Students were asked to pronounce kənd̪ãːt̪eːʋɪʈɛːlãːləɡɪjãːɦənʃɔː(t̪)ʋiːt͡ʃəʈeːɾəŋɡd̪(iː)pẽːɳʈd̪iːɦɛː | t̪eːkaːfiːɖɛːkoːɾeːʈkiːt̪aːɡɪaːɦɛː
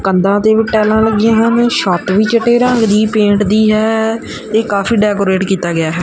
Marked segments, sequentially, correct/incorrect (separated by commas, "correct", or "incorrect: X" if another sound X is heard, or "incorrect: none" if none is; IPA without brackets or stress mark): correct, correct